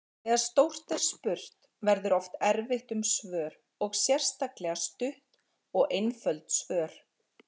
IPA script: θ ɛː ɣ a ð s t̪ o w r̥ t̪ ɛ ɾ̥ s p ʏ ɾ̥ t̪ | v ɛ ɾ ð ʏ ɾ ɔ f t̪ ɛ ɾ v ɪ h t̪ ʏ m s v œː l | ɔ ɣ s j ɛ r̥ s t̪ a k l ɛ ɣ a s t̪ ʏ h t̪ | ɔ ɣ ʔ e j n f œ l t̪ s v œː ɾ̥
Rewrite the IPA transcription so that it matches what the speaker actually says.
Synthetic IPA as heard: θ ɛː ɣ a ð s t̪ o w r̥ t̪ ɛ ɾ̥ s p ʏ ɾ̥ t̪ | v ɛ ɾ ð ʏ ɾ ɔ f t̪ ɛ ɾ v ɪ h t̪ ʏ m s v œː ɾ | ɔ ɣ s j ɛ r̥ s t̪ a k l ɛ ɣ a s t̪ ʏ h t̪ | ɔ ɣ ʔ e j n f œ l t̪ s v œː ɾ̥